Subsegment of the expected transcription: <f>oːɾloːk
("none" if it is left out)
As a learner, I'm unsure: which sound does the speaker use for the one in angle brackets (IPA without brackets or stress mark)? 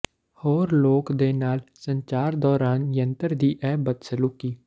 h